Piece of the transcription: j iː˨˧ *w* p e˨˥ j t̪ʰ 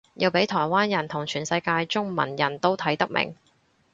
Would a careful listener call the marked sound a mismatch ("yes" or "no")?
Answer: no